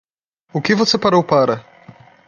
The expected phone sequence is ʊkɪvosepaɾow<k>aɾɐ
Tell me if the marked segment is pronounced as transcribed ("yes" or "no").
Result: no